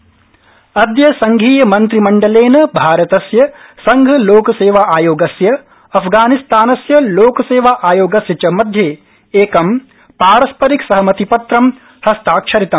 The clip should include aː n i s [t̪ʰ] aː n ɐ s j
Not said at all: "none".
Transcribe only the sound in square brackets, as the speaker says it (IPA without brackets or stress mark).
t̪